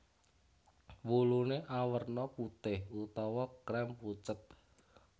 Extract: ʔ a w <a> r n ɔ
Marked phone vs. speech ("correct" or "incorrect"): incorrect